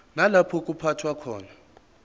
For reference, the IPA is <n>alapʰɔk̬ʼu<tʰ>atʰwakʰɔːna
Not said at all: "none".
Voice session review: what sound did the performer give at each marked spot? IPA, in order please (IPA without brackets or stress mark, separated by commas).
n, pʰ